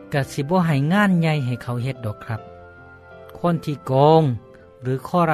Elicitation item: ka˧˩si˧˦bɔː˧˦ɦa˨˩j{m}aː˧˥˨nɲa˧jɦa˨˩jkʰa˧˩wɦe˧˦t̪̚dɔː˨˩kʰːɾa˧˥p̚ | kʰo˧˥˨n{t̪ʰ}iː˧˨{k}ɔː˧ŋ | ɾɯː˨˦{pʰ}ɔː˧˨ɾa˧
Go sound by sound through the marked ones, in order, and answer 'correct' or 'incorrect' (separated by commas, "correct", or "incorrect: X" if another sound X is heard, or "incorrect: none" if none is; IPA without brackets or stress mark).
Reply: incorrect: ŋ, correct, correct, incorrect: kʰ